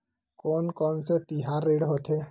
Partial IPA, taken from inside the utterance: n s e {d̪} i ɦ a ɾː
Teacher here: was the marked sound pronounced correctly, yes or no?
no